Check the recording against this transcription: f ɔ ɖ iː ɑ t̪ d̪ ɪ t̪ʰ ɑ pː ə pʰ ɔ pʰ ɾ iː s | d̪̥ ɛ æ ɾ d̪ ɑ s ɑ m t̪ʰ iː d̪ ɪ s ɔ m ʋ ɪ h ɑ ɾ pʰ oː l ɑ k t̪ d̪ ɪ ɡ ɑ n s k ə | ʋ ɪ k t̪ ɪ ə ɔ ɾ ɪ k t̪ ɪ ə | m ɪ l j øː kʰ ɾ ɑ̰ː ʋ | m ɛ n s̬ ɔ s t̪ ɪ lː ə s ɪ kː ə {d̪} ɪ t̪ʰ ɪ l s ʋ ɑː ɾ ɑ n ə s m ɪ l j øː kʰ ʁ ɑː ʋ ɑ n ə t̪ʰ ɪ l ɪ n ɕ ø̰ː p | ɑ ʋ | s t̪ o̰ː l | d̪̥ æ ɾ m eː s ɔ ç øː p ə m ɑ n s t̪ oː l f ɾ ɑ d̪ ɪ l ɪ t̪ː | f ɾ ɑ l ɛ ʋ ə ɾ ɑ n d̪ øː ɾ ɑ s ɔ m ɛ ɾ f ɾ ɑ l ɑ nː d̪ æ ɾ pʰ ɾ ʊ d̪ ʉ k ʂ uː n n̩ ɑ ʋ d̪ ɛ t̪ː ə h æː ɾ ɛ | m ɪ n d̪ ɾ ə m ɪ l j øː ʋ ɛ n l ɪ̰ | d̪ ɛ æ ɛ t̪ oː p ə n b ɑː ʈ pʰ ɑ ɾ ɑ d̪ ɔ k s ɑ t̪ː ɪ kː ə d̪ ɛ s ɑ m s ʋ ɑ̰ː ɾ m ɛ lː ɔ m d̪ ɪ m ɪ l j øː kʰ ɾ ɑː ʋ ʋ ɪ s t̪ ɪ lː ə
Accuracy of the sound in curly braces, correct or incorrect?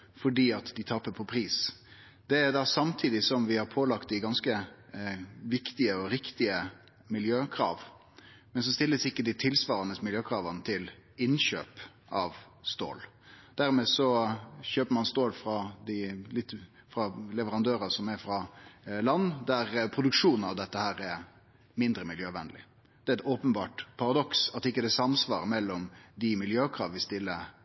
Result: correct